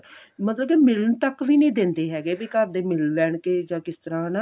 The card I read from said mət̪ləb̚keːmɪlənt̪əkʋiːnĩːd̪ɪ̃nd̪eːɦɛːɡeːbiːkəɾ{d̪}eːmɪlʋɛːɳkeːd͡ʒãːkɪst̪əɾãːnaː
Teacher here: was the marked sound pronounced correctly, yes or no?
yes